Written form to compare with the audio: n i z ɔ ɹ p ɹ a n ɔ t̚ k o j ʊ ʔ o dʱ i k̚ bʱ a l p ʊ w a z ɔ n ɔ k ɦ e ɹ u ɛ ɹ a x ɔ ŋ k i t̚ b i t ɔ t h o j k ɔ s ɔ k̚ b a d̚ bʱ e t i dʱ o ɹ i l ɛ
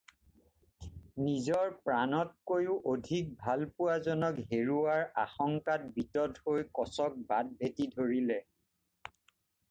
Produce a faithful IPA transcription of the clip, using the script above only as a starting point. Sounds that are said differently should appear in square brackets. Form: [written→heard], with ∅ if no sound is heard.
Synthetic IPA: n i z ɔ ɹ p ɹ a n ɔ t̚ k o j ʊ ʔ o dʱ i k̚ bʱ a l p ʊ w a z ɔ n ɔ k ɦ e ɹ u [ɛ→a] ɹ a x ɔ ŋ k [i→a] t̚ b i t ɔ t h o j k ɔ s ɔ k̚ b a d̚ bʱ e t i dʱ o ɹ i l ɛ